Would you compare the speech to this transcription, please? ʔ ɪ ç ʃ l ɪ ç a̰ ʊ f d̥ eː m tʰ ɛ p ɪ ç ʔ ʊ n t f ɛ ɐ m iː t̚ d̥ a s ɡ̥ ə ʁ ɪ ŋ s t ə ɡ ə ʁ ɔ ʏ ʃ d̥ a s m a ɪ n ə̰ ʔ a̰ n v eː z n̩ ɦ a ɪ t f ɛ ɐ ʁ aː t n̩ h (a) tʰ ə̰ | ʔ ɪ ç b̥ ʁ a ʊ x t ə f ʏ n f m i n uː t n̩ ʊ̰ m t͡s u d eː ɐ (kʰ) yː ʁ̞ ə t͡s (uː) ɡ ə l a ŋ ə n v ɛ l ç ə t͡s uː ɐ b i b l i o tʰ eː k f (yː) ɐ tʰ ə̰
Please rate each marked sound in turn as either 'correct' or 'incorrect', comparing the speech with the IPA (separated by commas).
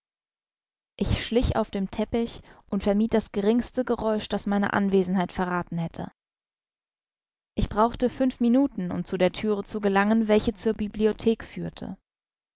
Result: incorrect, incorrect, incorrect, correct